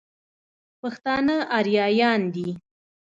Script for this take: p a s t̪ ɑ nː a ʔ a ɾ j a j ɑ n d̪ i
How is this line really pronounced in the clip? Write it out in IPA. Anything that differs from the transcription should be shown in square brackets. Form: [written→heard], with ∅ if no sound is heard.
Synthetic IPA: p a [s→x] t̪ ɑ [nː→n] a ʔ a ɾ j [a→ɑ] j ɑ n d̪ i